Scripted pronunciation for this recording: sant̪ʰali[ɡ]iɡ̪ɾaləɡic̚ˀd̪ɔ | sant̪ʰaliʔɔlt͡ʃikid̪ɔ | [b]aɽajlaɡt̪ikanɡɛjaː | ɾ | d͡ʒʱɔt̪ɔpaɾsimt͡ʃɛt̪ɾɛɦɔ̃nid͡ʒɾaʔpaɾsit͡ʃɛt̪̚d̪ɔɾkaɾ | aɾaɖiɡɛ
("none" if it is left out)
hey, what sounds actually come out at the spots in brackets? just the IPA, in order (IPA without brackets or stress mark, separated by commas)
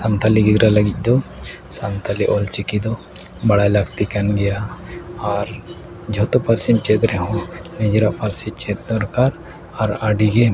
ɡ, b